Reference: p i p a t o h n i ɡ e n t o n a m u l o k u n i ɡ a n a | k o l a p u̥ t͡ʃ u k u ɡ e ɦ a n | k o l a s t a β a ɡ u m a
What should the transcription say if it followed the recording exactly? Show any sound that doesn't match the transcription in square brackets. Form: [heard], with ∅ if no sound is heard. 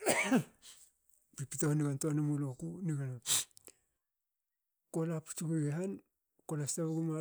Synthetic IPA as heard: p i p [i] t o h n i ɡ [a] n t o n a m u l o k u n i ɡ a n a | k o l a p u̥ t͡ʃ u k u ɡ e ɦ a n | k o l a s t a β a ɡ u m a